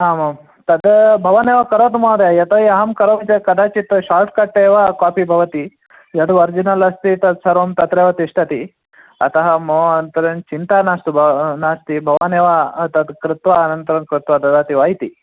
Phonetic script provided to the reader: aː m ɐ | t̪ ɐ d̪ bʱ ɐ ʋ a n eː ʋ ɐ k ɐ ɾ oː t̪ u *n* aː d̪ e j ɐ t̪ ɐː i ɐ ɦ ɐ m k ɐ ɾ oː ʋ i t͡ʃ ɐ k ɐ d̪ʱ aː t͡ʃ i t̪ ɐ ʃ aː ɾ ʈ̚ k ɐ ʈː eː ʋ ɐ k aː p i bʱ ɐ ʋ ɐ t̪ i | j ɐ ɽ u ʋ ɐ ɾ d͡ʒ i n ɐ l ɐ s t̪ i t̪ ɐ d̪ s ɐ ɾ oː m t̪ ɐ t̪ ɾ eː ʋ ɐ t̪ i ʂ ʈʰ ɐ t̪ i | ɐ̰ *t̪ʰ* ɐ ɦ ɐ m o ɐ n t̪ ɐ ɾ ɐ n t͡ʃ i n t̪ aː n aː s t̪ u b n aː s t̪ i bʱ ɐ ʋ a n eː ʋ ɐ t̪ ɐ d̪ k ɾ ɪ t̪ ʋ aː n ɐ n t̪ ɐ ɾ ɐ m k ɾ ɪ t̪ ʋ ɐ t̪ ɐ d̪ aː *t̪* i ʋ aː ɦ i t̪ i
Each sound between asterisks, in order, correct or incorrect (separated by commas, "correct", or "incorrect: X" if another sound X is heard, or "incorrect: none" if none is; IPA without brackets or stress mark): incorrect: m, incorrect: t̪, correct